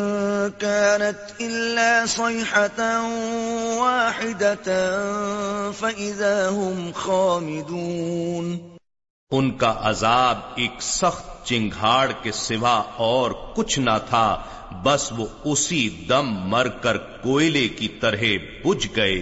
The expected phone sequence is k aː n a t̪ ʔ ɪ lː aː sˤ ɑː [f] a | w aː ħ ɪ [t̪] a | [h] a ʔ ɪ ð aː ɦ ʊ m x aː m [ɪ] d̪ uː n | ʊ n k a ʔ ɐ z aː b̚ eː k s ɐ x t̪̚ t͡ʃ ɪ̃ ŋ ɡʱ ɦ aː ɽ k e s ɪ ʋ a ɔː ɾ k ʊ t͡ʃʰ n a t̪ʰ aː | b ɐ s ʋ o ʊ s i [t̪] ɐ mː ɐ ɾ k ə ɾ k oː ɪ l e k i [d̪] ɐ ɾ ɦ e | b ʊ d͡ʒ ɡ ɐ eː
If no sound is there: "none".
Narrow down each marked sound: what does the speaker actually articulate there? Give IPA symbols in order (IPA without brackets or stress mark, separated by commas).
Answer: ħ, d̪, f, ɪ, d̪, t̪